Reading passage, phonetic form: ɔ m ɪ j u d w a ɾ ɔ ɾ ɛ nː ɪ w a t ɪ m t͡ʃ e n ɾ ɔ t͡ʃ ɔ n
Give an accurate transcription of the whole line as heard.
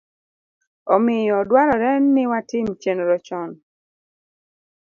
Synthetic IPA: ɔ m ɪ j ɔ d w a ɾ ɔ ɾ ɛ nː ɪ w a t ɪ m t͡ʃ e n ɾ ɔ t͡ʃ ɔ n